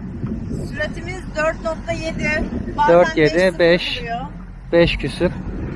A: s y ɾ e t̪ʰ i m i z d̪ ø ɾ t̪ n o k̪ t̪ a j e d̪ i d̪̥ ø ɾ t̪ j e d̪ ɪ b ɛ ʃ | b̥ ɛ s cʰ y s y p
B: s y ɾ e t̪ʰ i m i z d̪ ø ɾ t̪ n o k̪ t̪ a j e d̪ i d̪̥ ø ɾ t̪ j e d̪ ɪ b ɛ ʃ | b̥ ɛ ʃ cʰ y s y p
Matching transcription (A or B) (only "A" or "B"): B